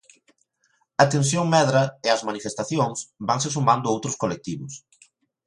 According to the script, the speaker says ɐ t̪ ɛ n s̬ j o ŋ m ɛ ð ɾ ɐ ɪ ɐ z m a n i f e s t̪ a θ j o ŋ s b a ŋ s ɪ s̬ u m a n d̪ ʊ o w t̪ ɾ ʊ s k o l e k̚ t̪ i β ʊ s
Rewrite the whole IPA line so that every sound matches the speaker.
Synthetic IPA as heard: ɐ t̪ e n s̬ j o ŋ m ɛ ð ɾ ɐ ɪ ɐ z m a n i f e s t̪ a θ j o ŋ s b a ŋ s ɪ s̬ u m a n d̪ ʊ o w t̪ ɾ ʊ s k o l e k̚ t̪ i β ʊ s